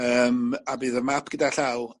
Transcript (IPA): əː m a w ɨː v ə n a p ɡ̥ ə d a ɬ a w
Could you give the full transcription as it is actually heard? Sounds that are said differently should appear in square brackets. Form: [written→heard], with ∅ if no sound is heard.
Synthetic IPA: əː m a [w→b] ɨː [v→ð] ə [n→m] a p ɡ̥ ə d a ɬ a w

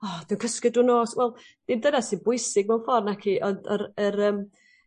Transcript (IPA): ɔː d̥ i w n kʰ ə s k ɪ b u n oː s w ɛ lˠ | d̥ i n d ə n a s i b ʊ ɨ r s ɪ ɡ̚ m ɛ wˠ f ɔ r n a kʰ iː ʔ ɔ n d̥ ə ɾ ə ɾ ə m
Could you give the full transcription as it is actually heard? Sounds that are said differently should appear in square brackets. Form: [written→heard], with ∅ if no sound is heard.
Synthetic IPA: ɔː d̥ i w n kʰ ə s k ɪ [b→d] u n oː s w ɛ lˠ | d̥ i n d ə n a s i b ʊ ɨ [r→∅] s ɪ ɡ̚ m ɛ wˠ f ɔ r n a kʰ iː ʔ ɔ n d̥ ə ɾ ə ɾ ə m

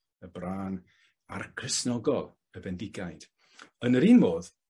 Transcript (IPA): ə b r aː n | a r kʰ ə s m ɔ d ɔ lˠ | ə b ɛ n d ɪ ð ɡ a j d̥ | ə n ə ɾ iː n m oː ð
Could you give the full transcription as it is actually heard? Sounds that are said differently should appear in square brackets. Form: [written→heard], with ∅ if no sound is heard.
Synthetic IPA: ə b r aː n | a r kʰ ə s [m→n] ɔ [d→ɡ] ɔ lˠ | ə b ɛ n d ɪ [ð→∅] ɡ a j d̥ | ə n ə ɾ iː n m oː ð

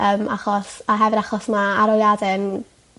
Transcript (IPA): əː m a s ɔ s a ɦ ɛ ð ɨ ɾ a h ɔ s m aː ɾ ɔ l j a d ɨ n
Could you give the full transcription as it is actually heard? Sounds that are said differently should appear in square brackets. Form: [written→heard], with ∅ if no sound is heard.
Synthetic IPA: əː m a [s→χ] ɔ s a ɦ ɛ [ð→v] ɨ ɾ a [h→χ] ɔ s m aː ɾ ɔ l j a d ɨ n

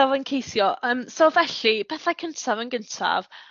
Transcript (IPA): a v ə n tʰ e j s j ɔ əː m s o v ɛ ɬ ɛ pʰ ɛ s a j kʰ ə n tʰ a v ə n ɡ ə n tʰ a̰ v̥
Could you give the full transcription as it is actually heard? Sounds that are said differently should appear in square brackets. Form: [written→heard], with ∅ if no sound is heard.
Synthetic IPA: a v ə n [tʰ→kʰ] e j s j ɔ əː m s o v ɛ ɬ [ɛ→i] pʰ ɛ [s→θ] a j kʰ ə n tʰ a v ə n ɡ ə n tʰ a̰ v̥

